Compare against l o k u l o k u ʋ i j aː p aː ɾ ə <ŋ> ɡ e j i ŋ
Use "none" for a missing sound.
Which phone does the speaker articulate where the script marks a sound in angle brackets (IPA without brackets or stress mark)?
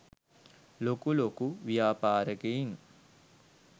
none